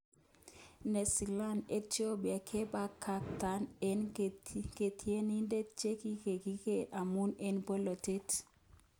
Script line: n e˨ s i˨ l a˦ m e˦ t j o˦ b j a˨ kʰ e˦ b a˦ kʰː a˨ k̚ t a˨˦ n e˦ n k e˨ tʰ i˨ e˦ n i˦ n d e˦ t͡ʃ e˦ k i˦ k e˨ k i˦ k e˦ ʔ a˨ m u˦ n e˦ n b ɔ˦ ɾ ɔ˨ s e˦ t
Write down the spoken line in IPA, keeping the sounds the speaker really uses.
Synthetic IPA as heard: n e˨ s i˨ l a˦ n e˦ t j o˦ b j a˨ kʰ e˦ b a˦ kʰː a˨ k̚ t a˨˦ n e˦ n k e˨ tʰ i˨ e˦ n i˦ n d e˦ t͡ʃ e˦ k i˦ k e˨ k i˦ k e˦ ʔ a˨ m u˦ n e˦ n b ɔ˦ l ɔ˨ t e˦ t